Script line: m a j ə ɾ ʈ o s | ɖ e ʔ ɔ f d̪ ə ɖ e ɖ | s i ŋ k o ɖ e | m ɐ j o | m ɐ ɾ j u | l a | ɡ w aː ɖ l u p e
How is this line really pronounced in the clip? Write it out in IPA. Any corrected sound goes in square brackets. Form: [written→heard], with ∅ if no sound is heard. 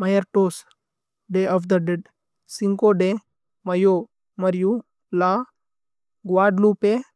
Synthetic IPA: m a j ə ɾ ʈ o s | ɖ e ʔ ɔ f d̪ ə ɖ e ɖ | s i ŋ k o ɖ e | m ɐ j o | m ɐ ɾ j u | l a | ɡ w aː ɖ l u p e